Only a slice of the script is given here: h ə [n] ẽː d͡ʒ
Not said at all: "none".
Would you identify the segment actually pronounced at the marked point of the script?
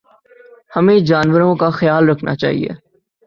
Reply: m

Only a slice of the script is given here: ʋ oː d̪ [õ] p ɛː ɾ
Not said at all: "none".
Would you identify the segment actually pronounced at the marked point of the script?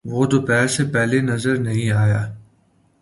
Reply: o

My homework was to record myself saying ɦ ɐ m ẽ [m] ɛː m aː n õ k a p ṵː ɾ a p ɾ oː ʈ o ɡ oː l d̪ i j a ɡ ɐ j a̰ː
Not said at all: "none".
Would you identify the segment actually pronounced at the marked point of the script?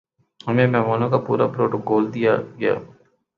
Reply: m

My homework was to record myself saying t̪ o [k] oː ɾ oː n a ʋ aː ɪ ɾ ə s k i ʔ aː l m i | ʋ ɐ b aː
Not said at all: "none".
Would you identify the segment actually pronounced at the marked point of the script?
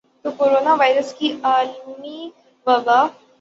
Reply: k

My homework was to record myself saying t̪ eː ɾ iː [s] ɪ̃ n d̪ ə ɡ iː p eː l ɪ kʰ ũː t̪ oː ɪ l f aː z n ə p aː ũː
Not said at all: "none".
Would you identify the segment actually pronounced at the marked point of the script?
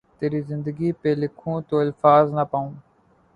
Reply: z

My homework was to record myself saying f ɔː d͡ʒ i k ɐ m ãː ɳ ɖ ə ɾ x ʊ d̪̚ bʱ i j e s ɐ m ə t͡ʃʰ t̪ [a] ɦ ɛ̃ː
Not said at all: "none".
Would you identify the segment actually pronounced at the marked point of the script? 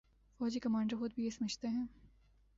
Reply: e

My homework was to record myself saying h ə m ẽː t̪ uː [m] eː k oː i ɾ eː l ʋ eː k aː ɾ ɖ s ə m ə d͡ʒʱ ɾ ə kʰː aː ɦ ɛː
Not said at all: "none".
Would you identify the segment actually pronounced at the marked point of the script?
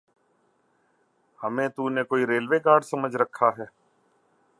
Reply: n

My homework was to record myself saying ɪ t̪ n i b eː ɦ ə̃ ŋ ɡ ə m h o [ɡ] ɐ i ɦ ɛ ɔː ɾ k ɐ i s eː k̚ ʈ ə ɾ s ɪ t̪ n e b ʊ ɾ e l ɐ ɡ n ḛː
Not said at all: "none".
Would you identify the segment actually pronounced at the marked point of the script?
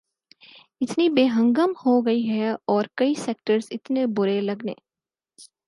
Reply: ɡ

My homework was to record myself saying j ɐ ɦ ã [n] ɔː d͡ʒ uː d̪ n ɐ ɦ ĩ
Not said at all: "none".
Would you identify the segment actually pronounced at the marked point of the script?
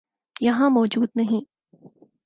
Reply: m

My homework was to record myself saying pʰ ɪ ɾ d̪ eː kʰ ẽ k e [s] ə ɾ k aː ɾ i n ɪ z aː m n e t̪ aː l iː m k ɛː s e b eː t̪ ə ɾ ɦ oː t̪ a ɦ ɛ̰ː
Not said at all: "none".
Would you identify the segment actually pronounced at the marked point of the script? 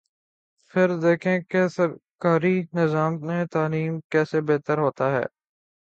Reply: s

